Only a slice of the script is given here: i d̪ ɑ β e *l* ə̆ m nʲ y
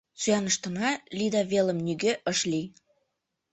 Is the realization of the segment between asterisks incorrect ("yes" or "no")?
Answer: no